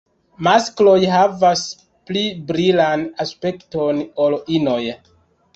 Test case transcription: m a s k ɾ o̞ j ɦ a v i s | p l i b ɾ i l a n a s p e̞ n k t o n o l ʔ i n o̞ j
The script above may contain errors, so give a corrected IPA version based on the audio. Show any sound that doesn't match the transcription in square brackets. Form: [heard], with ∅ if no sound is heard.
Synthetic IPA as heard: m a s k [l] o̞ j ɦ a v [a] s | p l i b ɾ i l a n a s p e̞ [∅] k t o n o l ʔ i n o̞ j

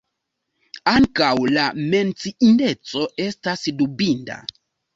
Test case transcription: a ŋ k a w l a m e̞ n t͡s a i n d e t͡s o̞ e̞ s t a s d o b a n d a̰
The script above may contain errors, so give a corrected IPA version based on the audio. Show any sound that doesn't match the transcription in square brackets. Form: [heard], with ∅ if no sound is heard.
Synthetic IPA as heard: a ŋ k a w l a m e̞ n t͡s [i] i n d e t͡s o̞ e̞ s t a s d [u] b [i] n d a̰

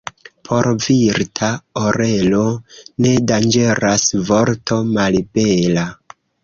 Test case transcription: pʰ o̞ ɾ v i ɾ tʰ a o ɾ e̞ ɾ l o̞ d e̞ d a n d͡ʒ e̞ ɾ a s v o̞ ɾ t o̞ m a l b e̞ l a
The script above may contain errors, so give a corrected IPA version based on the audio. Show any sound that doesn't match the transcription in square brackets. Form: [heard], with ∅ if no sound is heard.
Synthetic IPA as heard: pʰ o̞ ɾ v i ɾ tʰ a o ɾ e̞ [∅] l o̞ [n] e̞ d a n d͡ʒ e̞ ɾ a s v o̞ ɾ t o̞ m a l b e̞ l a

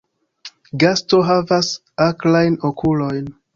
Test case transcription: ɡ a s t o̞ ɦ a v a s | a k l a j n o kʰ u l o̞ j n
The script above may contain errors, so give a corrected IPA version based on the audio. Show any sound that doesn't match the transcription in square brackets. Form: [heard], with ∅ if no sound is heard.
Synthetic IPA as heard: ɡ a s t o̞ ɦ a v a s | a k l a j n o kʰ u l o̞ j n

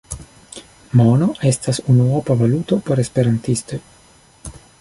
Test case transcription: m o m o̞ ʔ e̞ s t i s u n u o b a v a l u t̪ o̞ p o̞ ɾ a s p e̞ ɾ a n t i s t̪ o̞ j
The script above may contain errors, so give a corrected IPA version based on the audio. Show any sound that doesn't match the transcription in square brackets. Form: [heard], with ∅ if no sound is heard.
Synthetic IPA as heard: m o [n] o̞ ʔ e̞ s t [a] s u n u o [p] a v a l u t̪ o̞ p o̞ ɾ [e] s p e̞ ɾ a n t i s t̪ o̞ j

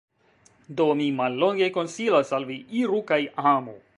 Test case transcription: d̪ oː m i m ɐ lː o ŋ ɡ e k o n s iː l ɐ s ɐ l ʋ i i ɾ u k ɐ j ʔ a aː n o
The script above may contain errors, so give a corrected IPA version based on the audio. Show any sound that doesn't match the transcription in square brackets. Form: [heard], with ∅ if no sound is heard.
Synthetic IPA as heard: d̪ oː m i m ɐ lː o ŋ ɡ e k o n s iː l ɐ s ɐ l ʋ i i ɾ u k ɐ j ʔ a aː [m] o

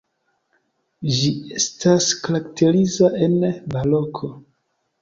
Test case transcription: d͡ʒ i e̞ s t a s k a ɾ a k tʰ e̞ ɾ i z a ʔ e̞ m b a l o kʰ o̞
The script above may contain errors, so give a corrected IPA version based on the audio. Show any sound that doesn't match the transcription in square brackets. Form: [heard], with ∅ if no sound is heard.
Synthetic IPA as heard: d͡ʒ i e̞ s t a s k a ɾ a k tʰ e̞ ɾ i z a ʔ e̞ [n] b a l o kʰ o̞

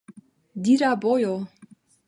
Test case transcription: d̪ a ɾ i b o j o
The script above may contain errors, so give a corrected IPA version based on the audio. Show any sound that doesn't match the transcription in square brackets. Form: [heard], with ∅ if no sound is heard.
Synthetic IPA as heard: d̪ [i] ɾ [a] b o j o

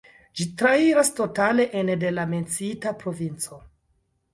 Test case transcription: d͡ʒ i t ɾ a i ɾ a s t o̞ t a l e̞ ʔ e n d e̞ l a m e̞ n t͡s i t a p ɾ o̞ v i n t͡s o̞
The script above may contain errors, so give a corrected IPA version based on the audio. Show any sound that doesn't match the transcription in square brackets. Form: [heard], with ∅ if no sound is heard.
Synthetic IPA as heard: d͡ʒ i t ɾ a i ɾ a s t o̞ t a l e̞ ʔ e n d e̞ l a m e̞ n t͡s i t a p ɾ o̞ v i n t͡s o̞

